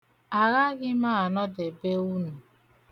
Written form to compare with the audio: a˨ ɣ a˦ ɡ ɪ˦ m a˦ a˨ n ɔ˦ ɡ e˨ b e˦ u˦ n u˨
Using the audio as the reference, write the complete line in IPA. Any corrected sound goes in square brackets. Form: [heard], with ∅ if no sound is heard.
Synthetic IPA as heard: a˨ ɣ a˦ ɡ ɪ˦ m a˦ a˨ n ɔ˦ [d] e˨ b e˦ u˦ n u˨